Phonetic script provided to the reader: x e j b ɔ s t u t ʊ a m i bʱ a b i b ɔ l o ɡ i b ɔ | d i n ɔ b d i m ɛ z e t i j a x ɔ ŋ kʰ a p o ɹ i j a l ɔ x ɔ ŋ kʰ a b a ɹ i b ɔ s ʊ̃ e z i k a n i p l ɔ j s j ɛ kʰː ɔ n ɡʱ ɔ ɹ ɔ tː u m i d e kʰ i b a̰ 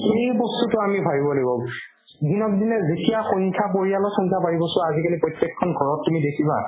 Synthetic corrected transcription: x e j b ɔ s t u t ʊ a m i bʱ a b i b ɔ l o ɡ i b ɔ | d i n ɔ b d i n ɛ z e t i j a x ɔ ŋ kʰ a p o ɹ i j a l ɔ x ɔ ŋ kʰ a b a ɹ i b ɔ s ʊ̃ a z i k a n i p ɹ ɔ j t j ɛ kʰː ɔ n ɡʱ ɔ ɹ ɔ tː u m i d e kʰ i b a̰